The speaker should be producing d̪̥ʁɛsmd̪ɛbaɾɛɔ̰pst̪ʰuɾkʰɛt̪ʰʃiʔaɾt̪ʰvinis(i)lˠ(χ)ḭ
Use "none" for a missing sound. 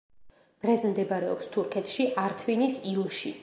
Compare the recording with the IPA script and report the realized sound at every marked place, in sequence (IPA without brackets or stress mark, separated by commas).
i, ʃ